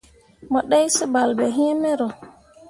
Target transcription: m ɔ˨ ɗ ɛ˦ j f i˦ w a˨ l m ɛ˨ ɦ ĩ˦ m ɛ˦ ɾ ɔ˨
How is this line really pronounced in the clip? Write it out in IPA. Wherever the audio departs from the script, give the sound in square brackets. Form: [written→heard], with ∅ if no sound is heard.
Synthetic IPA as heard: m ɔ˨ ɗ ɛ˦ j [f→s] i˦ [w→b] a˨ l [m→b] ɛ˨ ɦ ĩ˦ m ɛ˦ ɾ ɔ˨